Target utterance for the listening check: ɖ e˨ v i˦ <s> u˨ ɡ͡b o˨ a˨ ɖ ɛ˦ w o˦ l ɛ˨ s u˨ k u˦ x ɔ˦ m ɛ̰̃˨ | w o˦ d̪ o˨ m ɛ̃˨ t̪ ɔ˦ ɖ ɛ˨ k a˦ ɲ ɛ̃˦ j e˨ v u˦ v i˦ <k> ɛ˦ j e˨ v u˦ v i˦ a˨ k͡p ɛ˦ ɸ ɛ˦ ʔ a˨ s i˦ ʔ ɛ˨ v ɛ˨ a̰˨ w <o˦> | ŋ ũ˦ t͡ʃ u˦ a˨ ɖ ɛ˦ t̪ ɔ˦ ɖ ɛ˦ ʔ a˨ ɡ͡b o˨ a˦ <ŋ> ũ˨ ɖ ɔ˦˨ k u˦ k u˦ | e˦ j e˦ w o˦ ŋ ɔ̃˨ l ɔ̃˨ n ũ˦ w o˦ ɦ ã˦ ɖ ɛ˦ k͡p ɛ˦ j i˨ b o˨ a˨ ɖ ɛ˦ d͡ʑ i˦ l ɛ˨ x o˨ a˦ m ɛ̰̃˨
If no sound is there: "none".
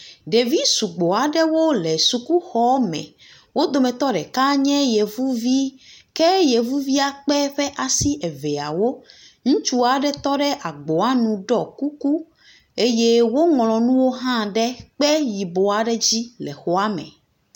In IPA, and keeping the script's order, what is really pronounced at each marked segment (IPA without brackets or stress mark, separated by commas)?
s, k, o˦, n